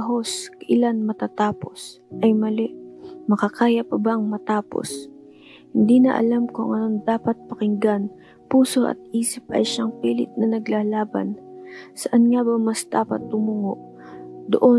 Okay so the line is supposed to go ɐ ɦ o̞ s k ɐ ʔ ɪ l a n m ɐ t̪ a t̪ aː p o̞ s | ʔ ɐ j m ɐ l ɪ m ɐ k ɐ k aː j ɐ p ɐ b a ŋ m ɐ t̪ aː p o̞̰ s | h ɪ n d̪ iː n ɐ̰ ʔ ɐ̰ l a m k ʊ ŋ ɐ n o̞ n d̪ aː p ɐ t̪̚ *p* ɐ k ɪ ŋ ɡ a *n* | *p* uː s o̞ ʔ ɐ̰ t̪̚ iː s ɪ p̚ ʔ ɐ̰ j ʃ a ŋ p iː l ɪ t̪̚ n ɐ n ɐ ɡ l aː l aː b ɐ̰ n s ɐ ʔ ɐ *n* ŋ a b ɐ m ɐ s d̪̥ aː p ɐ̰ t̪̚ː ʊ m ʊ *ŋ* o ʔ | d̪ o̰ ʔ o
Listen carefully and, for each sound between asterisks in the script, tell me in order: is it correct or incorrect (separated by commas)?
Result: correct, correct, correct, correct, correct